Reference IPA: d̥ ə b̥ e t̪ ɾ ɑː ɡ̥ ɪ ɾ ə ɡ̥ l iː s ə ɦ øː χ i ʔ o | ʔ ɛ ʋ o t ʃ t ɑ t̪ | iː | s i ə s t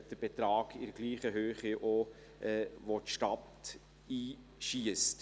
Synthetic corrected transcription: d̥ ə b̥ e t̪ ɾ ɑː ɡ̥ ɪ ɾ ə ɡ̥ l iː χ ə ɦ øː χ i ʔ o | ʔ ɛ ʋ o t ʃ t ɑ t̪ | iː | ʃ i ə s t